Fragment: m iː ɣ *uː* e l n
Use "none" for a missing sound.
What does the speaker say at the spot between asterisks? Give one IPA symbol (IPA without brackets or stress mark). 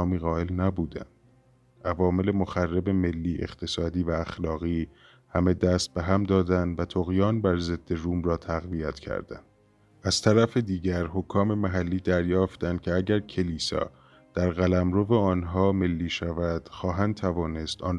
ɒː